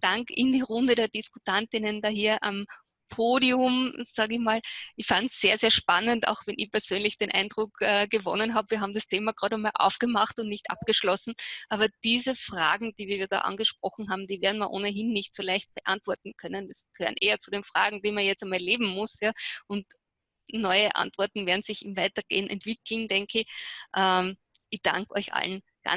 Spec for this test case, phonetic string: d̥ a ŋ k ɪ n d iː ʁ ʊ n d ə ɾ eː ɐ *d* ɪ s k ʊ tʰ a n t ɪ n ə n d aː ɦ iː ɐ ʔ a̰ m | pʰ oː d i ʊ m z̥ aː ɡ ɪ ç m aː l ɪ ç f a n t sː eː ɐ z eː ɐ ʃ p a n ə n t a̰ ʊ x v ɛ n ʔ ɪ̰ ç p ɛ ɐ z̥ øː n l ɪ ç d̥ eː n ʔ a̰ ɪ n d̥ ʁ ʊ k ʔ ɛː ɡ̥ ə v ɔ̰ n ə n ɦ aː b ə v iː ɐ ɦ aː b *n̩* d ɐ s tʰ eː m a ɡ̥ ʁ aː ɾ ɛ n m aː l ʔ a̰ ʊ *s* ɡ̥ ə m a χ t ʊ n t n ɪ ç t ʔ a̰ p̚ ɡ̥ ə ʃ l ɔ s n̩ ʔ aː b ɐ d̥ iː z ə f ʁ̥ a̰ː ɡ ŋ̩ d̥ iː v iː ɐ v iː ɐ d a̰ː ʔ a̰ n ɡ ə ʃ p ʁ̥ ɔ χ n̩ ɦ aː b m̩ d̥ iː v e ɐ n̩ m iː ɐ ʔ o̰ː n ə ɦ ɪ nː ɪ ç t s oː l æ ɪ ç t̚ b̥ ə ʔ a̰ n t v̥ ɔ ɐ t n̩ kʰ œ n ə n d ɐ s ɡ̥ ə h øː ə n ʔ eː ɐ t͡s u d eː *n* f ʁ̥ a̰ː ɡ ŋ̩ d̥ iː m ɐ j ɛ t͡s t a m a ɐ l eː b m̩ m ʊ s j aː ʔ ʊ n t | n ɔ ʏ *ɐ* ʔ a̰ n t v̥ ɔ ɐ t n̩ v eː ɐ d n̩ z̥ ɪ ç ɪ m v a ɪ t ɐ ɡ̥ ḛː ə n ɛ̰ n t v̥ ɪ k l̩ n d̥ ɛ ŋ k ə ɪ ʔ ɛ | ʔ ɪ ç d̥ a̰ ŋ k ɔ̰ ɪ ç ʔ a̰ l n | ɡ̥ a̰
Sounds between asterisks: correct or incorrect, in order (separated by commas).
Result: correct, incorrect, incorrect, correct, incorrect